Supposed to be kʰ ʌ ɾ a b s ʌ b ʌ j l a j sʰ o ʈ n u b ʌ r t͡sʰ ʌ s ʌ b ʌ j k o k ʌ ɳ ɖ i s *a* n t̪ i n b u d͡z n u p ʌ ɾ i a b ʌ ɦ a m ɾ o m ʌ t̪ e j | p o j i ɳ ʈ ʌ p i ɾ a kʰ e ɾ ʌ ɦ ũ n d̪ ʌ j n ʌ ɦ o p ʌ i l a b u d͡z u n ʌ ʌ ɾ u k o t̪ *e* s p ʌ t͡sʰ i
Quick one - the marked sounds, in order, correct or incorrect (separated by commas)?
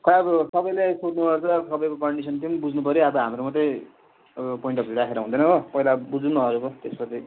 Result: incorrect, correct